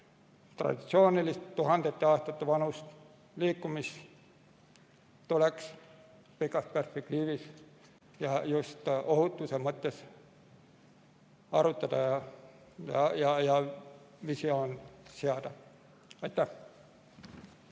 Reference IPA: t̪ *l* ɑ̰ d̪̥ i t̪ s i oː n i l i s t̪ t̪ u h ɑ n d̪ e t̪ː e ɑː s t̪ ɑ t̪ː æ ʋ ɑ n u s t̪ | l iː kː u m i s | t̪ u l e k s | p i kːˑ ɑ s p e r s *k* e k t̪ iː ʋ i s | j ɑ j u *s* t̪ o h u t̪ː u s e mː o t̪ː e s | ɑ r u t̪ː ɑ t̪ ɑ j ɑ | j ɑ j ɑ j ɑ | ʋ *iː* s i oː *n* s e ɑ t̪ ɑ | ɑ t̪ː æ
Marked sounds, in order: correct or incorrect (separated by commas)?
incorrect, incorrect, correct, incorrect, correct